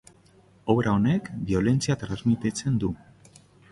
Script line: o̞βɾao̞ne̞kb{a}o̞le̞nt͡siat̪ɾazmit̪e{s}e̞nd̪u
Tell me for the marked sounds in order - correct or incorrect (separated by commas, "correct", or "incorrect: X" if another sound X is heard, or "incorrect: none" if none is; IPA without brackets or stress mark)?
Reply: incorrect: i, incorrect: t͡s